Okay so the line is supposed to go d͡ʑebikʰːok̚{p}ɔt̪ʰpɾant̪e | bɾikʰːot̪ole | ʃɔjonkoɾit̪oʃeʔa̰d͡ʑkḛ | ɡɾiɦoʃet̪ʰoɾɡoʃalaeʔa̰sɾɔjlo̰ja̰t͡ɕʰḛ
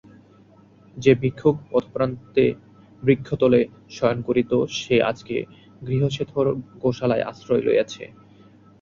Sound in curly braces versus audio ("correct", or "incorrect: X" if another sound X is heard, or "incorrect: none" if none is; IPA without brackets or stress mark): correct